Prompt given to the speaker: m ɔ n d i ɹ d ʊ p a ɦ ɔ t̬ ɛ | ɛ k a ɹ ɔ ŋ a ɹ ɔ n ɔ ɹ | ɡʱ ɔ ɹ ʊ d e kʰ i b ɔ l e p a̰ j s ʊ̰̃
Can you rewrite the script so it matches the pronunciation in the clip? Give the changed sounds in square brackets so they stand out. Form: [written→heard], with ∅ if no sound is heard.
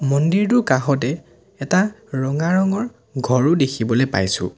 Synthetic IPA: m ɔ n d i ɹ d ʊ [p→k] a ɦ ɔ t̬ ɛ | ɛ [k→t] a ɹ ɔ ŋ a ɹ ɔ [n→ŋ] ɔ ɹ | ɡʱ ɔ ɹ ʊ d e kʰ i b ɔ l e p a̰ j s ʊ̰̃